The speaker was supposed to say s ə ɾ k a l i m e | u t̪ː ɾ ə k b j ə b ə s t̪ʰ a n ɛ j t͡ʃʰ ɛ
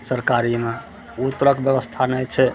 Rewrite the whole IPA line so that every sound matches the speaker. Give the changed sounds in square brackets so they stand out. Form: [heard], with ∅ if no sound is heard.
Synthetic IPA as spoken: s ə ɾ k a [ɾ] i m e | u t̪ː ɾ ə k b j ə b ə s t̪ʰ a n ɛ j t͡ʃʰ ɛ